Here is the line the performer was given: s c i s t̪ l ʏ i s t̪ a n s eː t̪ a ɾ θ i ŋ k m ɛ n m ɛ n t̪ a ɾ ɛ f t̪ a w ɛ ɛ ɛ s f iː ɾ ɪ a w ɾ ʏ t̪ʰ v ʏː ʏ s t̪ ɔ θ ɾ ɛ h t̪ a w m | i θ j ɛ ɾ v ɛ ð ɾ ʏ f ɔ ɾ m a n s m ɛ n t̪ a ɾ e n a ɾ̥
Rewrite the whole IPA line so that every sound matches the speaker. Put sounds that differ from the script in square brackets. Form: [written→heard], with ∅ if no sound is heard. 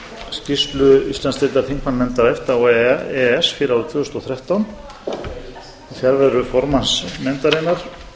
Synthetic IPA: s c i s t̪ l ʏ i s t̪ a n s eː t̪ a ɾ θ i ŋ k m [ɛ→a] n m ɛ n t̪ a ɾ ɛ f t̪ a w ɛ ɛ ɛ s f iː ɾ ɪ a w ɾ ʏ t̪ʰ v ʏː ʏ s t̪ ɔ θ ɾ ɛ h t̪ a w [m→n] | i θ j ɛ ɾ v ɛ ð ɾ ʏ f ɔ ɾ m a n s m ɛ n t̪ a ɾ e n a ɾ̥